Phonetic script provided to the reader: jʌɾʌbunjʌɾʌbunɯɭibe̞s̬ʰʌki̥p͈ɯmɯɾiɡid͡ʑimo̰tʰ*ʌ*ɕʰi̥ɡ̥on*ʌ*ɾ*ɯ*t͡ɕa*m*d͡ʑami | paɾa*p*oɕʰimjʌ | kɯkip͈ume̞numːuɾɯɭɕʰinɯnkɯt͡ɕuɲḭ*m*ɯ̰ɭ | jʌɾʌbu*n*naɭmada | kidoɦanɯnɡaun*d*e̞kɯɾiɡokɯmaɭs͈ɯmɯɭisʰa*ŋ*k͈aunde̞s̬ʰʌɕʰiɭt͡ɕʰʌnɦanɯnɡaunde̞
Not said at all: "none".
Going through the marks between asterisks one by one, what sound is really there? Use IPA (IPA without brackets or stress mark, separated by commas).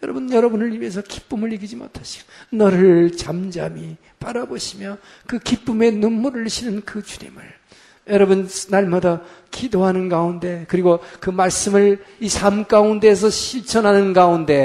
a, ʌ, ɯ, m, b, m, n, d, m